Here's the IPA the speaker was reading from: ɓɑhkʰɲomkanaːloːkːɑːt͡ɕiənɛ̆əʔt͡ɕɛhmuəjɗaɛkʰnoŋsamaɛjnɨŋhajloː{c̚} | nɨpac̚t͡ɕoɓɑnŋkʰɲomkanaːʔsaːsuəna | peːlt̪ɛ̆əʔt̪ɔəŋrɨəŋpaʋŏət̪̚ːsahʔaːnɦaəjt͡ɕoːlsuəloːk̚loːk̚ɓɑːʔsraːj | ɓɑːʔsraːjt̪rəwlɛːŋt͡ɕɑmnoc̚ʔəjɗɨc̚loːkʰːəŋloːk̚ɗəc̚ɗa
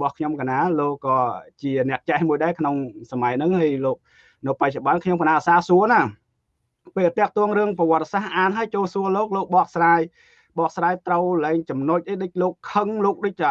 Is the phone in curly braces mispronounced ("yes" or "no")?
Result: yes